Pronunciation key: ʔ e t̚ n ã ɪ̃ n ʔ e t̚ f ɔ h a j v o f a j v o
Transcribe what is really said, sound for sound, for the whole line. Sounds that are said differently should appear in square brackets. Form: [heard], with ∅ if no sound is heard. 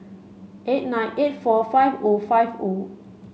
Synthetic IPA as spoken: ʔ e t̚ n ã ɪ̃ n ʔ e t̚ f ɔ [f] a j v o f a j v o